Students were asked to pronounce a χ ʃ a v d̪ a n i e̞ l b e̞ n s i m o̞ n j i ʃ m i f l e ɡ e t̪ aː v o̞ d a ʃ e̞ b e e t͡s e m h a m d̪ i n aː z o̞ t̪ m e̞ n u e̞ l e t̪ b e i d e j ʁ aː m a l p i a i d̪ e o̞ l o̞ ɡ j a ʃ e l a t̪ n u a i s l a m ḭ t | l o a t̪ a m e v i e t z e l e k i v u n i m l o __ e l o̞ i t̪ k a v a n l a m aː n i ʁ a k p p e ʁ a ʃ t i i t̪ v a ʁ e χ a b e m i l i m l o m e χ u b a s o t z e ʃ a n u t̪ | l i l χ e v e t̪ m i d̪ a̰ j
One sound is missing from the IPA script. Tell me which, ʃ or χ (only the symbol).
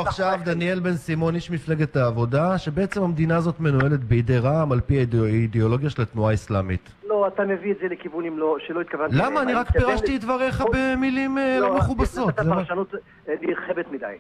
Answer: ʃ